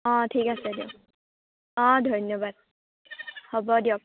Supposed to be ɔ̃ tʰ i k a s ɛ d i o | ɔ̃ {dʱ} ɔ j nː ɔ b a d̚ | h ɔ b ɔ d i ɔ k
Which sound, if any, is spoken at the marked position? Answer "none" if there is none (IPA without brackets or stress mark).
dʱ